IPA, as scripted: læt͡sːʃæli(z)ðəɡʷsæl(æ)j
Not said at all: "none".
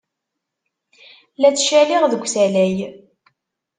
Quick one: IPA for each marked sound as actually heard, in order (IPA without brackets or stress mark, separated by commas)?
ʁ, æ